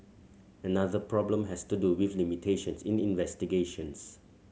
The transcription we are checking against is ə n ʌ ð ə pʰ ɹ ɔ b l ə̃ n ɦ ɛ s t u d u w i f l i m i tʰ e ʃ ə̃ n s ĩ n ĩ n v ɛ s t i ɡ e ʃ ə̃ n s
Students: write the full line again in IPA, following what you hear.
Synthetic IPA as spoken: ə n a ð ə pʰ ɹ ɔ b l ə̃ m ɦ ɛ s t u d u w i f l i m i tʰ e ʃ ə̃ n s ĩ n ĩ n v ɛ s t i ɡ e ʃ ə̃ n s